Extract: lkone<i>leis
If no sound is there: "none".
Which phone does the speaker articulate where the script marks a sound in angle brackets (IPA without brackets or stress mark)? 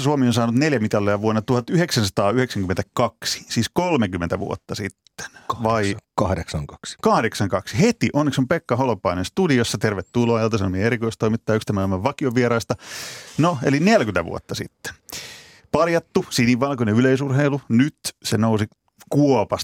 y